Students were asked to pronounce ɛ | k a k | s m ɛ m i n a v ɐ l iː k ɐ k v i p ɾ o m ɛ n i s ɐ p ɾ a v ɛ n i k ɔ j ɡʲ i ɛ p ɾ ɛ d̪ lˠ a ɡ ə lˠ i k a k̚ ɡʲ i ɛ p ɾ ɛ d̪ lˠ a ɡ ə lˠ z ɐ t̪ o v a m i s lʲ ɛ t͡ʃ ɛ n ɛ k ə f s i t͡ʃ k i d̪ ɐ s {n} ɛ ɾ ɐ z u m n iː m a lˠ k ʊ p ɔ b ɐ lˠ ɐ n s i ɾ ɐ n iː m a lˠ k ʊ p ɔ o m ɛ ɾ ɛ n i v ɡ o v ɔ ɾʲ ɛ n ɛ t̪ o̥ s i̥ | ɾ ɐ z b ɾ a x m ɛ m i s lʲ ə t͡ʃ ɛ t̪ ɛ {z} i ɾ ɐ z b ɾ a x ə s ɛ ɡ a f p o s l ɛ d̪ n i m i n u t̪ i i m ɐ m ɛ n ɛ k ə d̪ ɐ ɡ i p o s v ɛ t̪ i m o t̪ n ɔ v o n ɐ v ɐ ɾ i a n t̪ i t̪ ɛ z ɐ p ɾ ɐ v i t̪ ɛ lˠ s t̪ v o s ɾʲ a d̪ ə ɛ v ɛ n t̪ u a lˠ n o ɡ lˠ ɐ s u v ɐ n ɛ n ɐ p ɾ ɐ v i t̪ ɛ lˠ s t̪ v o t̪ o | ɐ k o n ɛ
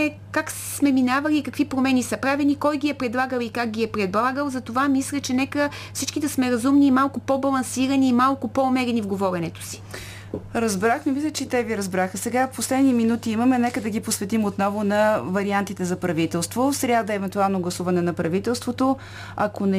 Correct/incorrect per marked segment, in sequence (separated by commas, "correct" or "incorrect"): incorrect, incorrect